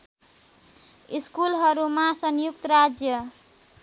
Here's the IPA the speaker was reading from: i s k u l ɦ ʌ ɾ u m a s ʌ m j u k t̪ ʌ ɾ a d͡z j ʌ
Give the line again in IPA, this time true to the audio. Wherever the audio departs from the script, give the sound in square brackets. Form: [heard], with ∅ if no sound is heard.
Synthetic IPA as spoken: i s k u l ɦ ʌ ɾ u m a s ʌ [n] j u k t̪ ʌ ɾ a d͡z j ʌ